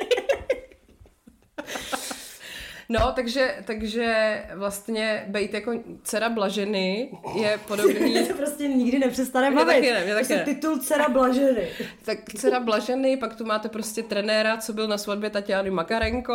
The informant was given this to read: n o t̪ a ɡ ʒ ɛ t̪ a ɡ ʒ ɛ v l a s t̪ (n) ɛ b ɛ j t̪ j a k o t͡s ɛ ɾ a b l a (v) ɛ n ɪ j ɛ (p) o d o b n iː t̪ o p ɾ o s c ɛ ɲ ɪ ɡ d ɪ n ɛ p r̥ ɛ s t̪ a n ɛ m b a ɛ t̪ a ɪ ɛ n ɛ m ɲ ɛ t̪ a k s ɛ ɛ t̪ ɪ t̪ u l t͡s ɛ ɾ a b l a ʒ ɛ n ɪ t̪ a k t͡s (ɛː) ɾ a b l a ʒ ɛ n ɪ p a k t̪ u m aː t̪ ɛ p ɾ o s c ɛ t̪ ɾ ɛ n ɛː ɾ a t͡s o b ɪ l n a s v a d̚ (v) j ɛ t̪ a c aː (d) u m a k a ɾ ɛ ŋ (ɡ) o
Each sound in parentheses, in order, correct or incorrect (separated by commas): incorrect, incorrect, correct, incorrect, incorrect, incorrect, incorrect